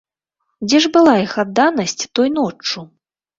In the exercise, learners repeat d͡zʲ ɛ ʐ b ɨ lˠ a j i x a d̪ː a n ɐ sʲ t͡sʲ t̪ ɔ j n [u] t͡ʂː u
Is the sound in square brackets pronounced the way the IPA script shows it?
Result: no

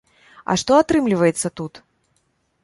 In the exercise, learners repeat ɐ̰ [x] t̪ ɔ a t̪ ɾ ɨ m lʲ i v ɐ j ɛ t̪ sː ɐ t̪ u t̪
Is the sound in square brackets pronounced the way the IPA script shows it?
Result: no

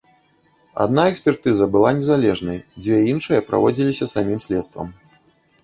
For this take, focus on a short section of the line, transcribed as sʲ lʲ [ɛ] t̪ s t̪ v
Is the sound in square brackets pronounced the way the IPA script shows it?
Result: yes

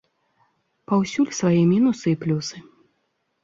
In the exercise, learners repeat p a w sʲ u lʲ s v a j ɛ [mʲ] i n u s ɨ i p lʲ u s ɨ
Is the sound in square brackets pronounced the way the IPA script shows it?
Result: yes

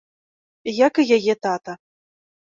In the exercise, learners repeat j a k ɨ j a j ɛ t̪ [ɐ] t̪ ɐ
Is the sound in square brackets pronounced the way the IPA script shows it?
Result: no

